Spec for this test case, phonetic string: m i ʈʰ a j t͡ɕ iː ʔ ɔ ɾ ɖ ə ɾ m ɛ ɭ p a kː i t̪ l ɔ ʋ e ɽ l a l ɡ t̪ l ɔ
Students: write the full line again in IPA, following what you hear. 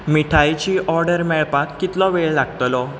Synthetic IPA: m i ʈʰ a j t͡ɕ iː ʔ ɔ ɾ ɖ ə ɾ m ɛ ɭ p a kː i t̪ l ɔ ʋ e ɭ l a ɡ t̪ l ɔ